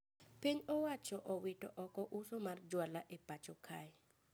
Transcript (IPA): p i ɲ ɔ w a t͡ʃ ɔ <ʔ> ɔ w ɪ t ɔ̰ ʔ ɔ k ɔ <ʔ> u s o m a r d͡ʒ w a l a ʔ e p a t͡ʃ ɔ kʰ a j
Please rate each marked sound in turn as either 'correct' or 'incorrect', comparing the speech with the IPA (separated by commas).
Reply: correct, correct